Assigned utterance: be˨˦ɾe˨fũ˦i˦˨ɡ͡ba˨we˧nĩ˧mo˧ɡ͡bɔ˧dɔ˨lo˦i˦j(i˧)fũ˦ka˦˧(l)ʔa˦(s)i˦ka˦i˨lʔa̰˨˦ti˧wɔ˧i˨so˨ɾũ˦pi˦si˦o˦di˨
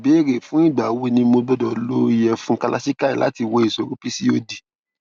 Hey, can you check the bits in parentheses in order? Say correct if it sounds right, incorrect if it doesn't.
incorrect: ɛ˧, correct, correct

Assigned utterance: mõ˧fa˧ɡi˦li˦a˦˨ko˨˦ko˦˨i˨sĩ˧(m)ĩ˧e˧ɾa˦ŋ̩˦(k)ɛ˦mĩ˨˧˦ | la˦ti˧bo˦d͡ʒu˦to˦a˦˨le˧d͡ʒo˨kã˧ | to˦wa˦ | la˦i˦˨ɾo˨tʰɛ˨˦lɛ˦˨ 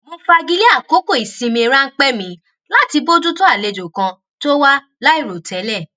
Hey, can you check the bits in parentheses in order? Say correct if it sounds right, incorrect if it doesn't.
correct, incorrect: k͡p

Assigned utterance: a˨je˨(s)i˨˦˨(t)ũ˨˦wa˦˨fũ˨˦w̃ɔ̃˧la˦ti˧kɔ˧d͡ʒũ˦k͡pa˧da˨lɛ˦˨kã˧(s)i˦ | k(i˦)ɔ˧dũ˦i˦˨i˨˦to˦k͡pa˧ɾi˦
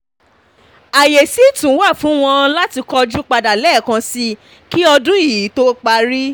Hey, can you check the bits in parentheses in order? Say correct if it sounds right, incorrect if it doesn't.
correct, correct, correct, correct

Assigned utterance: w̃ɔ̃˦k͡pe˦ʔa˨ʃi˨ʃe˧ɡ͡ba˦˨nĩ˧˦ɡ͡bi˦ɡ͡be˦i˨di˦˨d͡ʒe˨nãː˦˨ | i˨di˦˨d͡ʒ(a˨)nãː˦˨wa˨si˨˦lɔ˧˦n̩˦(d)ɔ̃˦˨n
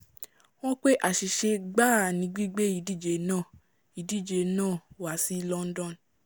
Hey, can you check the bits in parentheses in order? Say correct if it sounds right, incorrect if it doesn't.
incorrect: e˨, correct

